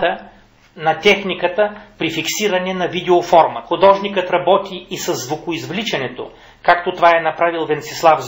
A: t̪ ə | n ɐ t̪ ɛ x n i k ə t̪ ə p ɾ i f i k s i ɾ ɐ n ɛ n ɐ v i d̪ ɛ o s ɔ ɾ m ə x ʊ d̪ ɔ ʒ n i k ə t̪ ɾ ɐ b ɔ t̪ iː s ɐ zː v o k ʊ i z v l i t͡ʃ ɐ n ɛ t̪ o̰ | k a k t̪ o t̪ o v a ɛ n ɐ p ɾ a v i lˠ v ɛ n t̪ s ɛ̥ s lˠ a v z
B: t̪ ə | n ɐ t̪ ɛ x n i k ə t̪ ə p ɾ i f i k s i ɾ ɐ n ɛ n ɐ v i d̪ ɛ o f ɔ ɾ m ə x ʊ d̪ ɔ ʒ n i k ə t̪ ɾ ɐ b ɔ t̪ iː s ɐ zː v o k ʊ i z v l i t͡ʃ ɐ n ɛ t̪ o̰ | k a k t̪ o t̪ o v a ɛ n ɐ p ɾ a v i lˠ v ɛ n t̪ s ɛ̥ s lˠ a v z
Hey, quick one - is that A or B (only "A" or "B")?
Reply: B